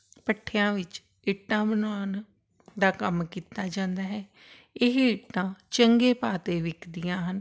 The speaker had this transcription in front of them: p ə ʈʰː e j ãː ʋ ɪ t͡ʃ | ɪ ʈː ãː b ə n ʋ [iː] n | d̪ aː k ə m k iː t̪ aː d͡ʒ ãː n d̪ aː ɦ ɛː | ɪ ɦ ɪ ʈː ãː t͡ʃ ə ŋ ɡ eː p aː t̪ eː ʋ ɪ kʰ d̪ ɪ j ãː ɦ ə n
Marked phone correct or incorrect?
incorrect